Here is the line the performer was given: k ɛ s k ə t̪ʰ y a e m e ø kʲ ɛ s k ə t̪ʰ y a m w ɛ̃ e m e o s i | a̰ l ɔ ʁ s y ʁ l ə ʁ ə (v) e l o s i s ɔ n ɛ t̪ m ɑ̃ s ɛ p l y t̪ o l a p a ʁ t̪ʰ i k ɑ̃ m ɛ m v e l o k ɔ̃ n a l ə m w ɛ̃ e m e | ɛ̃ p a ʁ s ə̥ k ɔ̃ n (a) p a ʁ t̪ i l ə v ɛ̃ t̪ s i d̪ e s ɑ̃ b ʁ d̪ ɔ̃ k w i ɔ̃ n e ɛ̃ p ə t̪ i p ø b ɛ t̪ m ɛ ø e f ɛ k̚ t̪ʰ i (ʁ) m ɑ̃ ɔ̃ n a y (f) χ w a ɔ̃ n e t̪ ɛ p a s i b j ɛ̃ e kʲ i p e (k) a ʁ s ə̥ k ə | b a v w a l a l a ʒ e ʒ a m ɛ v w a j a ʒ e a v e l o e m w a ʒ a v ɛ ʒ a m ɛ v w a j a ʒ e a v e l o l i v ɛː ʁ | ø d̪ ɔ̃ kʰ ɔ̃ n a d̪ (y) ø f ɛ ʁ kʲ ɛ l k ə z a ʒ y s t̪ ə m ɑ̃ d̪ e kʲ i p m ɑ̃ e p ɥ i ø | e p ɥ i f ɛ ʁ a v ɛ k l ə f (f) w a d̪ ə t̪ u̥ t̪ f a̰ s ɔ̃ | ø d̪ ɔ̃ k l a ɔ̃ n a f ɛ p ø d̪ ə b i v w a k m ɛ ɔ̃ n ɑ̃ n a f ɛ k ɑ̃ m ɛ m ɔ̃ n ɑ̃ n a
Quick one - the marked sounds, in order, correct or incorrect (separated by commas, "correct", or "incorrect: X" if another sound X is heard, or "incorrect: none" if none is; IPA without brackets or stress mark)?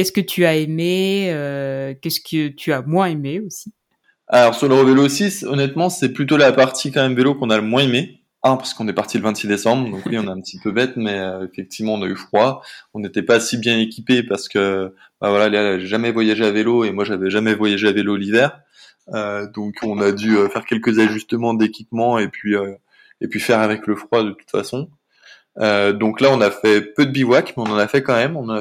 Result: correct, incorrect: ɛ, incorrect: v, correct, incorrect: p, correct, incorrect: χ